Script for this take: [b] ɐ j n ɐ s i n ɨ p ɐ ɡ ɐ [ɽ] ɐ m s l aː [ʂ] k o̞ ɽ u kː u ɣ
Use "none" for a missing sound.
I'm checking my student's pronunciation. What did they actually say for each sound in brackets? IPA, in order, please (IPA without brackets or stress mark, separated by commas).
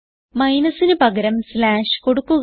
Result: m, ɾ, ʂ